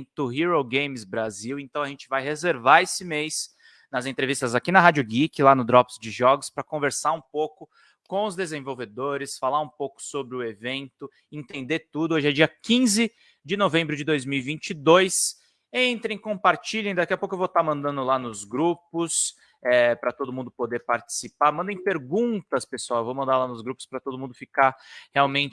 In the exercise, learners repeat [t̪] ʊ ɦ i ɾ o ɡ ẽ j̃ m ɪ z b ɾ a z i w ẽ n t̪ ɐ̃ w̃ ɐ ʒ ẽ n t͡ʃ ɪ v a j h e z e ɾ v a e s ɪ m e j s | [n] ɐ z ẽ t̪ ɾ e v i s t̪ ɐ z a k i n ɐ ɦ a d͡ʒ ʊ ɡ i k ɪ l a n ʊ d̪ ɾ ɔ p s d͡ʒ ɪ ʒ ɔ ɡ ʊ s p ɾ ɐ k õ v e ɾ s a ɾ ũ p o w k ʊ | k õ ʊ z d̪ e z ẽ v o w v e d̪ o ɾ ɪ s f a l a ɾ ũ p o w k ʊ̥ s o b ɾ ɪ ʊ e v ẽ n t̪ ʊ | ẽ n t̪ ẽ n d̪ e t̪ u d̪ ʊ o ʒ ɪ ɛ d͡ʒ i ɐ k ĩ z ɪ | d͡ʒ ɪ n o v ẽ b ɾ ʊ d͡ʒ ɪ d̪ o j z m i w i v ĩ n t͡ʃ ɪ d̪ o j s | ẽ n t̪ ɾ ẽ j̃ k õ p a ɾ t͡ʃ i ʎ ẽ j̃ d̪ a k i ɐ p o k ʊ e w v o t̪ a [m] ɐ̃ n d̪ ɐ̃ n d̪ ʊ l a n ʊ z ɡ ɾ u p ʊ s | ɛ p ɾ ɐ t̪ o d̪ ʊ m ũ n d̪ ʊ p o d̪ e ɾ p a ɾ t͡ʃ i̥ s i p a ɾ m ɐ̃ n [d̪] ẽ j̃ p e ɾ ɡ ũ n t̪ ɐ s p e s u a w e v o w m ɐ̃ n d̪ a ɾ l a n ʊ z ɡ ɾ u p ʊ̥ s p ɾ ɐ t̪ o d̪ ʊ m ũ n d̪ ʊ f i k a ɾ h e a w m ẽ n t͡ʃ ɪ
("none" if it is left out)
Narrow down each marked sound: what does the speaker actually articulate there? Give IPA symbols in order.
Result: t̪, n, m, d̪

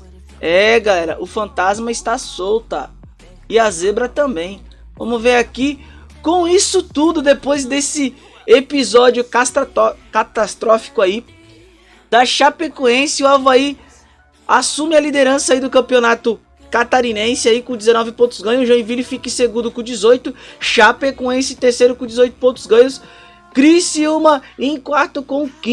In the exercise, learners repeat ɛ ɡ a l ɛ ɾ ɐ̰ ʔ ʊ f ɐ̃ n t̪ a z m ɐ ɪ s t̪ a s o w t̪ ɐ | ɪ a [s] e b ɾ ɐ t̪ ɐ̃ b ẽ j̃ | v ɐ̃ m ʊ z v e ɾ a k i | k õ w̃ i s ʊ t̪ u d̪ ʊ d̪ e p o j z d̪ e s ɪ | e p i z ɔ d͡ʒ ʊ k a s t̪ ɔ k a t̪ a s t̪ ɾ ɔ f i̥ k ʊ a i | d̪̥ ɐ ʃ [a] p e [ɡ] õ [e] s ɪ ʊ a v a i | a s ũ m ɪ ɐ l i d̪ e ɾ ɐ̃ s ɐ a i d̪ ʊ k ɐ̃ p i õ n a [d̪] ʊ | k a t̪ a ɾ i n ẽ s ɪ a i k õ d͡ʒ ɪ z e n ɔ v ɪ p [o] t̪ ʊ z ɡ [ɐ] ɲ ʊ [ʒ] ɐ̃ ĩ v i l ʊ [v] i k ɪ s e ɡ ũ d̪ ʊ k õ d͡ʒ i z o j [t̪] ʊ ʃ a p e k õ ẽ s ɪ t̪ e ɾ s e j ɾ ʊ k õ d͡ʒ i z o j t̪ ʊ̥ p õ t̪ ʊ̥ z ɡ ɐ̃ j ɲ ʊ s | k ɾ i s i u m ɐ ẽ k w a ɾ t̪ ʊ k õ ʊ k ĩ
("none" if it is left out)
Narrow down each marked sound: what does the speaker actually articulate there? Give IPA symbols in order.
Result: z, a, k, ẽ, t̪, õ, ɐ̃, ʒ, f, t̪

